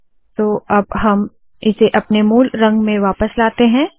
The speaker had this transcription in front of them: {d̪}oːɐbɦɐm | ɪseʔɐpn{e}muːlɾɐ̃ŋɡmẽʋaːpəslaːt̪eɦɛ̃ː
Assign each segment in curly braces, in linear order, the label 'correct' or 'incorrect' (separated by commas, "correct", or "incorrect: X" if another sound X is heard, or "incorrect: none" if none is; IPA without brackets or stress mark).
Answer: incorrect: t̪, correct